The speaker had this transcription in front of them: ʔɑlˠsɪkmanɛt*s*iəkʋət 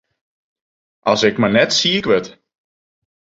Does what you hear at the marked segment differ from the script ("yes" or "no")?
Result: no